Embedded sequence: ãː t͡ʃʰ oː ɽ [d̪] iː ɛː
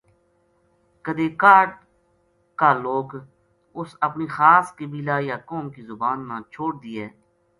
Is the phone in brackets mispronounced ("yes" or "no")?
no